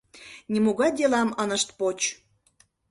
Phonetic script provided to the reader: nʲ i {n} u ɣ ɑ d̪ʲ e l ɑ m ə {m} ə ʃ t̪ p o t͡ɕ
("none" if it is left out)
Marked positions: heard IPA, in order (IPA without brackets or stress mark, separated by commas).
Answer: m, n